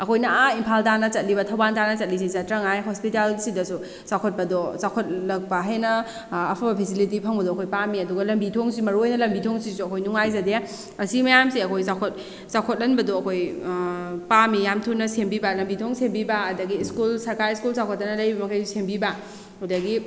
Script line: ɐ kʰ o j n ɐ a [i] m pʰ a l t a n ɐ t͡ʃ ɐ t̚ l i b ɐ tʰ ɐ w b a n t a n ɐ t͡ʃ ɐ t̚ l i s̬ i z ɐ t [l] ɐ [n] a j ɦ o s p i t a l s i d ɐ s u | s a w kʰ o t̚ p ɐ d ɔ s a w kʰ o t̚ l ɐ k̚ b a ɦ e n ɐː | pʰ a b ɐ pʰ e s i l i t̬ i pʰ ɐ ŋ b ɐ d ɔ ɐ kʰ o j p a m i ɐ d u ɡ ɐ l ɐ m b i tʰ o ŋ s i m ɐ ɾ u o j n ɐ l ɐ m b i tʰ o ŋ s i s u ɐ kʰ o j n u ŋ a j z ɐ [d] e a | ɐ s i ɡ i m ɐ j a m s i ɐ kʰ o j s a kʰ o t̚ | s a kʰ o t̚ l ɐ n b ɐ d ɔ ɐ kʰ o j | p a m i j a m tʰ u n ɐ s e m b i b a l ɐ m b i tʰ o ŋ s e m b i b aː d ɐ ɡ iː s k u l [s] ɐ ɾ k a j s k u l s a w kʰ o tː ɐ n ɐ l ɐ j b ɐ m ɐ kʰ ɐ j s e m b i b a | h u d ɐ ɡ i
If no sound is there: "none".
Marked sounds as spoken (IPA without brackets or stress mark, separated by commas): i, ɾ, ŋ, d, s